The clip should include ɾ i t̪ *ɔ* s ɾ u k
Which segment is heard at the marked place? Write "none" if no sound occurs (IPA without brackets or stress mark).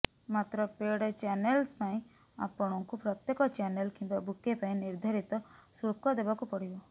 ɔ